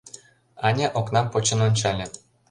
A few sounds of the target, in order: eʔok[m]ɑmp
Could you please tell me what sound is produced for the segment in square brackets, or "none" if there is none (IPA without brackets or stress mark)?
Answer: n